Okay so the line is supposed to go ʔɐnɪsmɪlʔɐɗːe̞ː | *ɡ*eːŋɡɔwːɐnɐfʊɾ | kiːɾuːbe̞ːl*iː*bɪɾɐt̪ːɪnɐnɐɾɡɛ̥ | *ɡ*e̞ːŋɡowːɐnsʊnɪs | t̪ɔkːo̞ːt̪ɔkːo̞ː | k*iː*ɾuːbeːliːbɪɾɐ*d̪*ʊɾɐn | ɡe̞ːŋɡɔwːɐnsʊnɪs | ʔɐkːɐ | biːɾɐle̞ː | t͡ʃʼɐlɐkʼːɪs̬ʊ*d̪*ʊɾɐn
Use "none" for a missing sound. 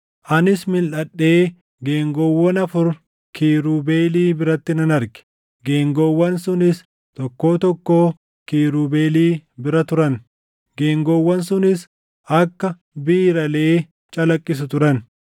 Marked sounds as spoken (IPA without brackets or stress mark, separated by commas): ɡ, iː, ɡ, iː, t̪, t̪